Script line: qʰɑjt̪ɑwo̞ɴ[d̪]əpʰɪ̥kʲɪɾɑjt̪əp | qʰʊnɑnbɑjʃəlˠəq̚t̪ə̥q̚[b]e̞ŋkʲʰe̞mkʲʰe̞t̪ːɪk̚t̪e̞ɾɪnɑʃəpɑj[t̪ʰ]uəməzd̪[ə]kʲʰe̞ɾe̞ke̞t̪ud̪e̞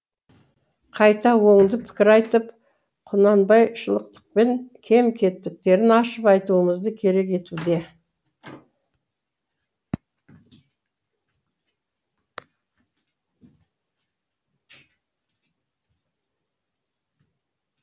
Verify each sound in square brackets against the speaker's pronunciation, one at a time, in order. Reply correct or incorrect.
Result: correct, incorrect, incorrect, correct

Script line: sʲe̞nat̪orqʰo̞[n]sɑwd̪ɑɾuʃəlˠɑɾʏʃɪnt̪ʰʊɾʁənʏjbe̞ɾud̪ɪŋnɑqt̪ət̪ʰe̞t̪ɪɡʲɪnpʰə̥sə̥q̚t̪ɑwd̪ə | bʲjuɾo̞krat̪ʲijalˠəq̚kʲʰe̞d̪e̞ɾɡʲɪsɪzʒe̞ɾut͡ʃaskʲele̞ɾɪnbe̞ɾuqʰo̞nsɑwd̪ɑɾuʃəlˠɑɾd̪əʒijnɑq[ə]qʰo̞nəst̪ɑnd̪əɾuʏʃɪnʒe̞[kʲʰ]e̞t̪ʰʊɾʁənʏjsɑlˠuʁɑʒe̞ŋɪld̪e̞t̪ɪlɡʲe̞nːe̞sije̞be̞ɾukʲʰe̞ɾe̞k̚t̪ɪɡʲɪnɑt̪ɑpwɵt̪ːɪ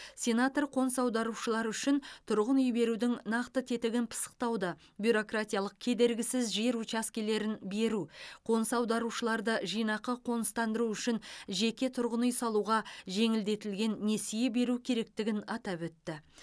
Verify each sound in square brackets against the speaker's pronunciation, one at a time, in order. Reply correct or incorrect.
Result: correct, correct, incorrect

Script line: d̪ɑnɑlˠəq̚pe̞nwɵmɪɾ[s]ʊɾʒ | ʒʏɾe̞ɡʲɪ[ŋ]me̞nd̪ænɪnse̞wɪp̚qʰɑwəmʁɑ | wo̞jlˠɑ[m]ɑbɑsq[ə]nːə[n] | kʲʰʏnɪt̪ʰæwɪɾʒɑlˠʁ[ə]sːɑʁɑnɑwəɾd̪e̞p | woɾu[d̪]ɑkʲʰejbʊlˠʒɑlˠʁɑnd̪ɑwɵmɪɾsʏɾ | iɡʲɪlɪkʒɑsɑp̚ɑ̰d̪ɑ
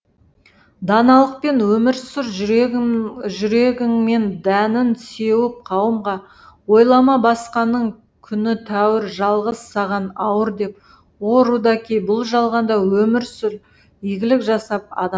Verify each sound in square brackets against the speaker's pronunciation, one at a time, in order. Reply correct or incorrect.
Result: correct, correct, correct, incorrect, incorrect, correct, correct

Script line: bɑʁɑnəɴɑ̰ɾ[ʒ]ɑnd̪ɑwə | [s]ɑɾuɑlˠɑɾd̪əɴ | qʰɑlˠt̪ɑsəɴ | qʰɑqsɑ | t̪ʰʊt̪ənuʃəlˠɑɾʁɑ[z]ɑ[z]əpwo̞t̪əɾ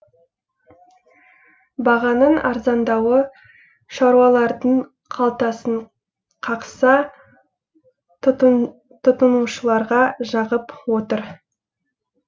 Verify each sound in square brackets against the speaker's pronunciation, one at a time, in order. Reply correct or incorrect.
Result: incorrect, incorrect, incorrect, incorrect

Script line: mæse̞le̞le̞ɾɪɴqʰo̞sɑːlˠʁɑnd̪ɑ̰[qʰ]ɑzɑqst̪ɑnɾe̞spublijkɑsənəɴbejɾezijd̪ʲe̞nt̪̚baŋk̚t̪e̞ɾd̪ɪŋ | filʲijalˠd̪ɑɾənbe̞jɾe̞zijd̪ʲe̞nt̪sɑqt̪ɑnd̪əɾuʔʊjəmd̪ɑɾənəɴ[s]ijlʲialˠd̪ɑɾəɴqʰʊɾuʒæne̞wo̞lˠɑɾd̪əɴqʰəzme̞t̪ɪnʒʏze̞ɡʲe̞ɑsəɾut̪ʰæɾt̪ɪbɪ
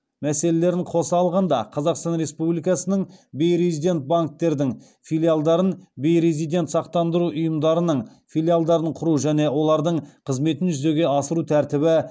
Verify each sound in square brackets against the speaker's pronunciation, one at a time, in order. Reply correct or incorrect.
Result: correct, incorrect

